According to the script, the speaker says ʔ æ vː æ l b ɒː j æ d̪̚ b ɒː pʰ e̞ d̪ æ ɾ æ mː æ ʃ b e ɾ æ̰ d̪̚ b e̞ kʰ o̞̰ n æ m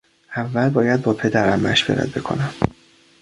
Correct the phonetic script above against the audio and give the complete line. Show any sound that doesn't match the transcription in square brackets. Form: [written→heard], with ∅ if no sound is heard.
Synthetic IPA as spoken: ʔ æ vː æ l b ɒː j æ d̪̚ b ɒː pʰ e̞ d̪ æ ɾ æ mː æ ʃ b e ɾ æ̰ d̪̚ b e̞ kʰ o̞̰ n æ m

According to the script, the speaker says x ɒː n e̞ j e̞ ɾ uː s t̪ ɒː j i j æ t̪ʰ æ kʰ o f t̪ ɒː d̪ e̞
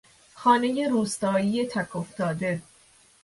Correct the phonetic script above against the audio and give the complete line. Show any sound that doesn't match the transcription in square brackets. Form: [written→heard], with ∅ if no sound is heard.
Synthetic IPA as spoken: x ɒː n e̞ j e̞ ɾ uː s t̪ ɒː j i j [æ→e] t̪ʰ æ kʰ o f t̪ ɒː d̪ e̞

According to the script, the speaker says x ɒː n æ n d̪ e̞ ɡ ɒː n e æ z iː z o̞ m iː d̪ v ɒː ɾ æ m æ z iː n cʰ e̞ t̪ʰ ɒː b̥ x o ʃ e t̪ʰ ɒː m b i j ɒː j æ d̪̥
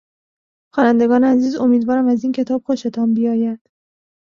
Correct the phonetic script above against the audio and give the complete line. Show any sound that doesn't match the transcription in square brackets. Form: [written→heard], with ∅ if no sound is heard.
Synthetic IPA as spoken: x ɒː n æ n d̪ e̞ ɡ ɒː n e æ z iː z o̞ m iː d̪ v ɒː ɾ æ m æ z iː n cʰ e̞ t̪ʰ ɒː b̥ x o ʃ e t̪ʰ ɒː m b i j ɒː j æ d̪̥

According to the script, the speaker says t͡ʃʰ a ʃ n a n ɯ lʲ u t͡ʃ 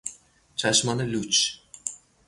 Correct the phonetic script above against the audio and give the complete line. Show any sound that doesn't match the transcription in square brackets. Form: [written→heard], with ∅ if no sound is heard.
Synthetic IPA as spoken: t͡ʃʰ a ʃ [n→m] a n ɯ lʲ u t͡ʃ

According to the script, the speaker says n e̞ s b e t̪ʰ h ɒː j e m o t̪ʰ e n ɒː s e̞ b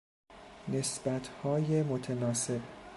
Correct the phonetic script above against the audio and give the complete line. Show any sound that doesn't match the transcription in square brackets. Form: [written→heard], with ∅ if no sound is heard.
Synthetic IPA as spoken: n e̞ s b [e→æ] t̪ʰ h ɒː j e m o t̪ʰ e n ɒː s e̞ b

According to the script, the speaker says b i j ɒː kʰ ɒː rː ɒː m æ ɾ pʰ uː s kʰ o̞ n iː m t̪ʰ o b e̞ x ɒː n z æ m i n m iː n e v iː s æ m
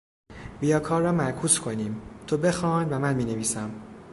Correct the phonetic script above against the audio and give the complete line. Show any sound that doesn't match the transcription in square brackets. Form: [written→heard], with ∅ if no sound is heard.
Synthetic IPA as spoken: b i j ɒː kʰ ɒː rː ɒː m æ ɾ [pʰ→kʰ] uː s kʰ o̞ n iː m t̪ʰ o b e̞ x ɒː n [z→v] æ m [i→æ] n m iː n e v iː s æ m

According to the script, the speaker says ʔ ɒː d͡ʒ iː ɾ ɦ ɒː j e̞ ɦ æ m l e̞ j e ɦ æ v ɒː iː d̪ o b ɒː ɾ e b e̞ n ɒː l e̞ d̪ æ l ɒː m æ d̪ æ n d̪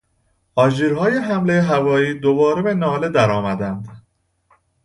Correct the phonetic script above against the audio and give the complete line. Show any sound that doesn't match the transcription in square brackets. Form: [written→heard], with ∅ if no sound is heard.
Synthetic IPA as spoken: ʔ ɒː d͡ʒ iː ɾ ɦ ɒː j e̞ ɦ æ m l e̞ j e ɦ æ v ɒː iː d̪ o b ɒː ɾ e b e̞ n ɒː l e̞ d̪ æ [l→ɾ] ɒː m æ d̪ æ n d̪

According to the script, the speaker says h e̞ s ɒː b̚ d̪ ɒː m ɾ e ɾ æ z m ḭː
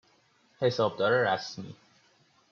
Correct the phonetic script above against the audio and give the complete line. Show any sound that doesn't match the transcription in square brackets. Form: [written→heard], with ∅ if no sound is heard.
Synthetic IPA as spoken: h e̞ s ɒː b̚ d̪ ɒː [m→∅] ɾ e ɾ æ [z→s] m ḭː

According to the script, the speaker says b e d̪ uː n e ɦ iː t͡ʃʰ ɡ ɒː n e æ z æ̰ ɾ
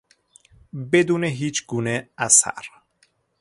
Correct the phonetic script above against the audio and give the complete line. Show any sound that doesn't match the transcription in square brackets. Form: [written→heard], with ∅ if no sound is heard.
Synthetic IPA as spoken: b e d̪ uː n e ɦ iː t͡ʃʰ ɡ [ɒː→uː] n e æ [z→s] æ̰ ɾ

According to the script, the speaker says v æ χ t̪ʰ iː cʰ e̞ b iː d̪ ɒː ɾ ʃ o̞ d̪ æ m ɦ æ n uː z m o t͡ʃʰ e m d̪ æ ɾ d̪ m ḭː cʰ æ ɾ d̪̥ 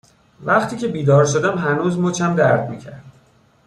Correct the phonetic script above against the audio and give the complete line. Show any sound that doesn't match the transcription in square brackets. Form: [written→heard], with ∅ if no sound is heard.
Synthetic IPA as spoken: v æ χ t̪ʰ iː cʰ e̞ b iː d̪ ɒː ɾ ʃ o̞ d̪ æ m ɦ æ n uː z m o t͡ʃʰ [e→æ] m d̪ æ ɾ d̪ m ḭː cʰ æ ɾ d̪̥

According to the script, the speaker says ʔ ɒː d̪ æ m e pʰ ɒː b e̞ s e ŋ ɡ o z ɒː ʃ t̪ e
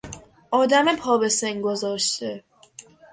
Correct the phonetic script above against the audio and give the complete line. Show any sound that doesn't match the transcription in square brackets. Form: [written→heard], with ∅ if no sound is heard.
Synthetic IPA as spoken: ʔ ɒː d̪ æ m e pʰ ɒː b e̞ s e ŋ ɡ o z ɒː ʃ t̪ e

